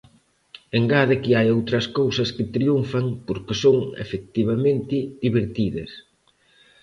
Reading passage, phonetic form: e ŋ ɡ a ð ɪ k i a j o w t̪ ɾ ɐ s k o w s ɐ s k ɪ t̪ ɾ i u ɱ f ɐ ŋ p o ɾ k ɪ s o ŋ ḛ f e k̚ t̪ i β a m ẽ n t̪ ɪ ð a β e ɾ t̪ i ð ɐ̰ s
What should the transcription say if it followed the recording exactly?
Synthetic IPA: e ŋ ɡ a ð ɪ k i a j o w t̪ ɾ ɐ s k o w s ɐ s k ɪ t̪ ɾ i u ɱ f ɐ ŋ p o ɾ k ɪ s o ŋ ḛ f e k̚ t̪ i β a m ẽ n t̪ ɪ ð i β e ɾ t̪ i ð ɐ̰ s

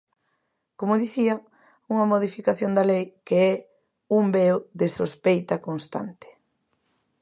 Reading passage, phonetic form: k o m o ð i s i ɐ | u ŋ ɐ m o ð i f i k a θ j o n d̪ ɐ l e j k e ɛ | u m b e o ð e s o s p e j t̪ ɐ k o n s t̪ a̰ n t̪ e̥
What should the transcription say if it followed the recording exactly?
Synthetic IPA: k o m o ð i θ i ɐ | u ŋ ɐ m o ð i f i k a θ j o n d̪ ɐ l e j k e ɛ | u m b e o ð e s o s p e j t̪ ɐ k o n s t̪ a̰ n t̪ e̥

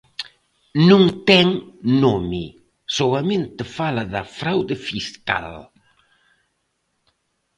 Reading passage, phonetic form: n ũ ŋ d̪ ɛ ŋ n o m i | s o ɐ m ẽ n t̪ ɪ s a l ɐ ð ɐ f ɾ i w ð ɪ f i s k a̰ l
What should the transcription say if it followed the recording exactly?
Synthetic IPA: n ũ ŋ t̪ ɛ ŋ n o m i | s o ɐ m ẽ n t̪ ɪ f a l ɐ ð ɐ f ɾ a w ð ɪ f i s k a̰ l

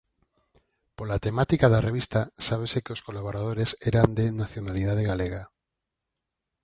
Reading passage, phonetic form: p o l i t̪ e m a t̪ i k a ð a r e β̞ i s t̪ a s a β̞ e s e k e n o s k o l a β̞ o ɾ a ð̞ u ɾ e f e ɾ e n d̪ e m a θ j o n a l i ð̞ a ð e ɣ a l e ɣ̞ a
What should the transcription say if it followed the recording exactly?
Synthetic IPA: p o l a t̪ e m a t̪ i k a ð a r e β̞ i s t̪ a s a β̞ e s e k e o s k o l a β̞ o ɾ a ð̞ o ɾ e s e ɾ a n d̪ e n a θ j o n a l i ð̞ a ð e ɣ a l e ɣ̞ a

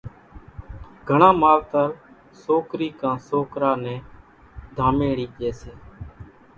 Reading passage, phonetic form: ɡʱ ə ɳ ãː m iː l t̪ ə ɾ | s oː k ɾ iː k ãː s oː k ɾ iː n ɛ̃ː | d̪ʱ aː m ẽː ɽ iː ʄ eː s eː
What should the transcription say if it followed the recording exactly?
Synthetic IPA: ɡʱ ə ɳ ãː m aː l t̪ ə ɾ | s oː k ɾ iː k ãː s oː k ɾ aː n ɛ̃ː | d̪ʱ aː m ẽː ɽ iː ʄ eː s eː

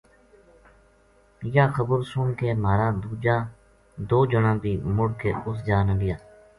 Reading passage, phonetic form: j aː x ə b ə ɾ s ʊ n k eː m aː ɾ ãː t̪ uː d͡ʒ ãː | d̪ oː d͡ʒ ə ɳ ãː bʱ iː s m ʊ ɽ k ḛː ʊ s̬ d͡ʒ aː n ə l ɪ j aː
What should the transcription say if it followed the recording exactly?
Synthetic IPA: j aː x ə b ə ɾ s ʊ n k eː m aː ɾ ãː d̪ uː d͡ʒ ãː | d̪ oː d͡ʒ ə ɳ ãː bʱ iː m ʊ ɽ k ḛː ʊ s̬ d͡ʒ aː n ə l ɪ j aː

